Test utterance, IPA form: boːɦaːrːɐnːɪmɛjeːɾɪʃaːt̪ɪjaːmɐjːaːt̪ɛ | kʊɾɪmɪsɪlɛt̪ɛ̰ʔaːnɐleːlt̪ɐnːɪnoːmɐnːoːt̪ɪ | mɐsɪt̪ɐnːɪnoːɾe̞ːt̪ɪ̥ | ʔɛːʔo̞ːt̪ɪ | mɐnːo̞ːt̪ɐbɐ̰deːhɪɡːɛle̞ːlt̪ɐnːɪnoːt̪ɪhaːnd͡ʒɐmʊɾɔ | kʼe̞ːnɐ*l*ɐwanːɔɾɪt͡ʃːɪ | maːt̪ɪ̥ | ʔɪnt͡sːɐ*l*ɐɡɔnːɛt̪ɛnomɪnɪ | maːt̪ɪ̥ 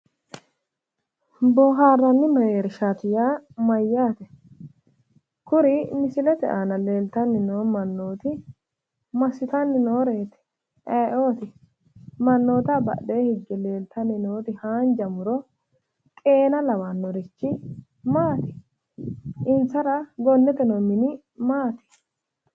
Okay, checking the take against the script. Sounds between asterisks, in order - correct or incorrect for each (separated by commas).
correct, incorrect